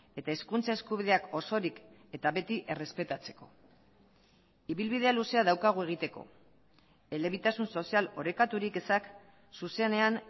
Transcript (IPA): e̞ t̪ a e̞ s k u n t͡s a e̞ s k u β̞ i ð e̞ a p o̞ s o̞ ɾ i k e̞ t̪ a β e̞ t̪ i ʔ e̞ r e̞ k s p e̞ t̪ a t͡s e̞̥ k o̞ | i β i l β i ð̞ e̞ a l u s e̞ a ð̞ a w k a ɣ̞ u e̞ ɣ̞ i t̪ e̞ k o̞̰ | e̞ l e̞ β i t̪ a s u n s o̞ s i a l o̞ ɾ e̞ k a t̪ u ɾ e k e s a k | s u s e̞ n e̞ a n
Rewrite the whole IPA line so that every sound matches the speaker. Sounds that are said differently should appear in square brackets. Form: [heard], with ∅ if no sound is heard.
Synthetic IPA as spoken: e̞ t̪ a e̞ s k u n t͡s a e̞ s k u β̞ i ð e̞ a [k] o̞ s o̞ ɾ i k e̞ t̪ a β e̞ t̪ i ʔ e̞ r e̞ [∅] s p e̞ t̪ a t͡s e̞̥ k o̞ | i β i l β i ð̞ e̞ a l u s e̞ a ð̞ a w k a ɣ̞ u e̞ ɣ̞ i t̪ e̞ k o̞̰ | e̞ l e̞ β i t̪ a s u n s o̞ s i a l o̞ ɾ e̞ k a t̪ u ɾ [i] k e s a k | s u s e̞ n e̞ a n

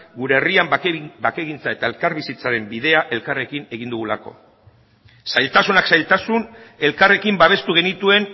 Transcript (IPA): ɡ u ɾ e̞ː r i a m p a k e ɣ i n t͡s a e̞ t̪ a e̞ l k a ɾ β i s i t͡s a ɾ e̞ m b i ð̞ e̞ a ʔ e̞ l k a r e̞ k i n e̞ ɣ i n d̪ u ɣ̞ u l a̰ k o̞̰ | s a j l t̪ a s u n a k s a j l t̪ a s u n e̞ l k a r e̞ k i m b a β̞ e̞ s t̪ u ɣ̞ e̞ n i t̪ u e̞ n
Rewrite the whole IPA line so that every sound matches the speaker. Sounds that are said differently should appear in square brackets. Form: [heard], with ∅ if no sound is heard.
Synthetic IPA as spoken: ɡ u ɾ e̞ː r i a m [b] a k e ɣ i n t͡s a e̞ t̪ a e̞ l k a ɾ β i s i t͡s a ɾ e̞ m b i ð̞ e̞ a ʔ e̞ l k a r e̞ k i n e̞ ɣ i n d̪ u ɣ̞ u l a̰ k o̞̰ | s a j l t̪ a s u n a k s a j l t̪ a s u n e̞ l k a r e̞ k i m b a β̞ e̞ s t̪ u ɣ̞ e̞ n i t̪ u e̞ n

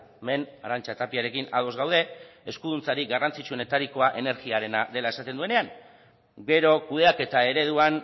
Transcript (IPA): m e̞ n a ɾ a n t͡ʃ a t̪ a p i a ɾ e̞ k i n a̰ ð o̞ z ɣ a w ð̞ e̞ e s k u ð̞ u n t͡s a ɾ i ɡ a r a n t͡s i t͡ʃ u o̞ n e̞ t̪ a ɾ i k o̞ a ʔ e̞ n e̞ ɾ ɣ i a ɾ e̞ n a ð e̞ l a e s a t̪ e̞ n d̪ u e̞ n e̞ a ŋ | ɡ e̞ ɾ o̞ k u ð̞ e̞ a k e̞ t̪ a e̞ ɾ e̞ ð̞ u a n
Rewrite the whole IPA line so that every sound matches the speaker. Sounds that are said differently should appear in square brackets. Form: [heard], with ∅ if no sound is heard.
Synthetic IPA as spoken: m e̞ n a ɾ a n t͡ʃ a t̪ a p i a ɾ e̞ k i n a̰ ð o̞ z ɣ a w ð̞ e̞ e s k u ð̞ u n t͡s a ɾ i ɡ a r a n t͡s i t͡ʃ u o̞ n e̞ t̪ a ɾ i k o̞ a ʔ e̞ n e̞ ɾ ɣ i a ɾ e̞ n a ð e̞ l a e s a t̪ e̞ n d̪ u e̞ n e̞ a ŋ | ɡ e̞ ɾ o̞ k u ð̞ e̞ a k e̞ t̪ a e̞ ɾ e̞ ð̞ u a n

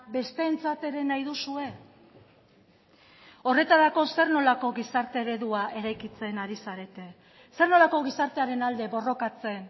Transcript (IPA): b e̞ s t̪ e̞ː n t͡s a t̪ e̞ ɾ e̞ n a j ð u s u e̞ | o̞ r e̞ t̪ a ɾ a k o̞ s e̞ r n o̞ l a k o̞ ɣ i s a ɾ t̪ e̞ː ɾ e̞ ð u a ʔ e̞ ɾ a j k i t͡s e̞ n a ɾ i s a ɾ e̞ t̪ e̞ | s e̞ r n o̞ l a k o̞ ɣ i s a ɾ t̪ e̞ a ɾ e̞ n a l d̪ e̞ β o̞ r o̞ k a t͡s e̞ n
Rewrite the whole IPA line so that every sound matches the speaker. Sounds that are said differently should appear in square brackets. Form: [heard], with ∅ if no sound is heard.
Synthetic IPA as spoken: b e̞ s t̪ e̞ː n t͡s a t̪ e̞ ɾ e̞ n a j ð u s u e̞ | o̞ r e̞ t̪ a ɾ a k o̞ s e̞ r n o̞ l a k o̞ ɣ i s a ɾ t̪ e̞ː ɾ e̞ ð u a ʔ e̞ ɾ a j k i t͡s e̞ n a ɾ i s a ɾ e̞ t̪ e̞ | s e̞ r n o̞ l a k o̞ ɣ i s a ɾ t̪ e̞ a ɾ e̞ n a l d̪ e̞ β o̞ r o̞ k a t͡s e̞ n

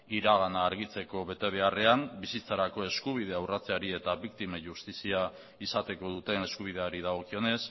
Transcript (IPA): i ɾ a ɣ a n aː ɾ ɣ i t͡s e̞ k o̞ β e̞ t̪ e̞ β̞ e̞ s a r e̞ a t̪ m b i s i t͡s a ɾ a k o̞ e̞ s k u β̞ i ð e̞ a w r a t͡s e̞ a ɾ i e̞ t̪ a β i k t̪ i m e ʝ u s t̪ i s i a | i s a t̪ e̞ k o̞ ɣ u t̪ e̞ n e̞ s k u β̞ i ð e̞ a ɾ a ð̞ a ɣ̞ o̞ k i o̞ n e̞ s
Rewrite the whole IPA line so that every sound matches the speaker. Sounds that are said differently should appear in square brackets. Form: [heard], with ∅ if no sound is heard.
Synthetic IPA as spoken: i ɾ a ɣ a n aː ɾ ɣ i t͡s e̞ k o̞ β e̞ t̪ e̞ β̞ e̞ [∅] a r e̞ a [∅] m b i s i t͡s a ɾ a k o̞ e̞ s k u β̞ i ð e̞ a w r a t͡s e̞ a ɾ i e̞ t̪ a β i k t̪ i m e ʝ u s t̪ i s i a | i s a t̪ e̞ k o̞ [ð] u t̪ e̞ n e̞ s k u β̞ i ð e̞ a ɾ [i] ð̞ a ɣ̞ o̞ k i o̞ n e̞ s

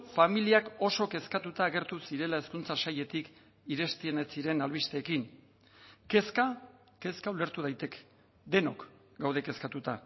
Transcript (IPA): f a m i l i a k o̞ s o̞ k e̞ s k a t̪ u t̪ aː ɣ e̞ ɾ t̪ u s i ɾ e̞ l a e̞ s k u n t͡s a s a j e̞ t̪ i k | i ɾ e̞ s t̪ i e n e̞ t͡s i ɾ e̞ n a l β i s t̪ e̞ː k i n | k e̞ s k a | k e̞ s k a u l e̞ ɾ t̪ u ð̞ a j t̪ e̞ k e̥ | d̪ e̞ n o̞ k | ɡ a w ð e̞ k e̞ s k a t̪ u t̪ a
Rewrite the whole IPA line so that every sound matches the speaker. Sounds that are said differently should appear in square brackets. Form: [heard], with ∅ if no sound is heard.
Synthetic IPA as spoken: f a m i l i a k o̞ s o̞ k e̞ s k a t̪ u t̪ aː ɣ e̞ ɾ t̪ u s i ɾ e̞ l a e̞ s k u n t͡s a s a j e̞ t̪ i k | i ɾ e̞ s t̪ i e n e̞ t͡s i ɾ e̞ n a l β i s t̪ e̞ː k i n | k e̞ s k a | k e̞ s k a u l e̞ ɾ t̪ u ð̞ a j t̪ e̞ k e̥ | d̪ e̞ n o̞ k | ɡ a w ð e̞ k e̞ s k a t̪ u t̪ a

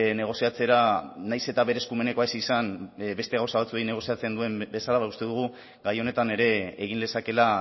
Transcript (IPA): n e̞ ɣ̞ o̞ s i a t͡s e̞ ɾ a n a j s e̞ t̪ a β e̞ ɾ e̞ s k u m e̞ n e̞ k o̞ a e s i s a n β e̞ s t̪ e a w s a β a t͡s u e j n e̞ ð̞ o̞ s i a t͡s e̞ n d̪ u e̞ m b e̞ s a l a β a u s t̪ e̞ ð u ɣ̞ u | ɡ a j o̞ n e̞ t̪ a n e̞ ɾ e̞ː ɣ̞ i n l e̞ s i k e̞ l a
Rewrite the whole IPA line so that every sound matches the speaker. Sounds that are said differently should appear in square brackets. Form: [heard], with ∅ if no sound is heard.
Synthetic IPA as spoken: n e̞ ɣ̞ o̞ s i a t͡s e̞ ɾ a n a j s e̞ t̪ a β e̞ ɾ e̞ s k u m e̞ n e̞ k o̞ a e s i s a n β e̞ s t̪ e a w s a β a t͡s u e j n e̞ [ɣ̞] o̞ s i a t͡s e̞ n d̪ u e̞ m b e̞ s a l a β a u s t̪ e̞ ð u ɣ̞ u | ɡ a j o̞ n e̞ t̪ a n e̞ ɾ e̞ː ɣ̞ i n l e̞ s [a] k e̞ l a

